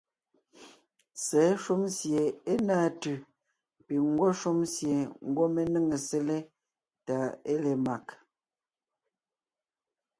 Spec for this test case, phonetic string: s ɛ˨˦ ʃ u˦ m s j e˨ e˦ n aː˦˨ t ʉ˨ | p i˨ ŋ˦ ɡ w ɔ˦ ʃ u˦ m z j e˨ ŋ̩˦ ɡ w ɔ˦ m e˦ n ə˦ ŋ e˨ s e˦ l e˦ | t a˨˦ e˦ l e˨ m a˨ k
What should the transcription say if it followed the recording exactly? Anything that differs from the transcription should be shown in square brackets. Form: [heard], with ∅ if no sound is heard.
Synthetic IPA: s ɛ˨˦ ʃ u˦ m s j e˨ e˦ n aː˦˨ t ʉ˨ | p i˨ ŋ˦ ɡ w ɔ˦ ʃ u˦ m [s] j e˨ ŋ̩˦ ɡ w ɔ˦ m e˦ n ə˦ ŋ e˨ s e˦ l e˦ | t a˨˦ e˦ l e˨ m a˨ k